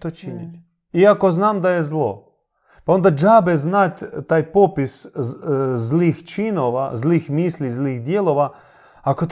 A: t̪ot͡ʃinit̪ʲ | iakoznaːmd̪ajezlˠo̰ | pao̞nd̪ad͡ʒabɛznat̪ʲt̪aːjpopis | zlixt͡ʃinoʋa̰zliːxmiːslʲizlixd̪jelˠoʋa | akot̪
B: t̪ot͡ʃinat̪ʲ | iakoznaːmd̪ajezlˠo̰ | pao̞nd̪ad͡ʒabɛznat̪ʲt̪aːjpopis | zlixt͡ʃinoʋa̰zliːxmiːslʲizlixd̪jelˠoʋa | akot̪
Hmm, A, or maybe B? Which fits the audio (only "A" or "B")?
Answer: A